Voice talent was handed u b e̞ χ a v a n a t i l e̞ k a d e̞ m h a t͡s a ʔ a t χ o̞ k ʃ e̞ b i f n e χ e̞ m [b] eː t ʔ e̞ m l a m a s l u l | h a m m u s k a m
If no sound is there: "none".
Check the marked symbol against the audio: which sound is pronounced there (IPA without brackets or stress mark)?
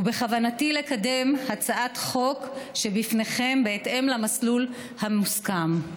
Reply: b